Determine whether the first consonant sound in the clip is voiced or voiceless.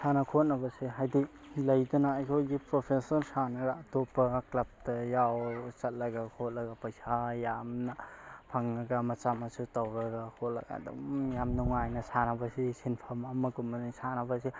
voiceless